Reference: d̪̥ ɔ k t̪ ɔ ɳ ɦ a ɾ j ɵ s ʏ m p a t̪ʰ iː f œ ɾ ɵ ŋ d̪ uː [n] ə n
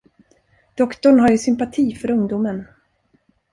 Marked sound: incorrect: m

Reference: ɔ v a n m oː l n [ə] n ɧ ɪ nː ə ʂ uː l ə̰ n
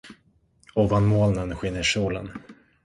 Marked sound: correct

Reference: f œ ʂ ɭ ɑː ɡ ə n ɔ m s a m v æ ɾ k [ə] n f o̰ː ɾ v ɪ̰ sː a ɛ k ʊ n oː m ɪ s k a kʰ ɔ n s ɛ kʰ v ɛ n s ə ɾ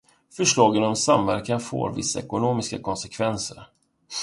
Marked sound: incorrect: a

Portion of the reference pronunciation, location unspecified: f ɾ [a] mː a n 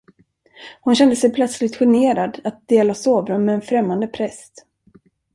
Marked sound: incorrect: ɛ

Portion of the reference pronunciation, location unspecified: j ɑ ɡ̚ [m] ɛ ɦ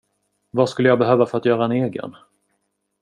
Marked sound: incorrect: b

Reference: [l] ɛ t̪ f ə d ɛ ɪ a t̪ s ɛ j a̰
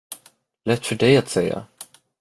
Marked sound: correct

